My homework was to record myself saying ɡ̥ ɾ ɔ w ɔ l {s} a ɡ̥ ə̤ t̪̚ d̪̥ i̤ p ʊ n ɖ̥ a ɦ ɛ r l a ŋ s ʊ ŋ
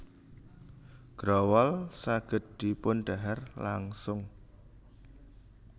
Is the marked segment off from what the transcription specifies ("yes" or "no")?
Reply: no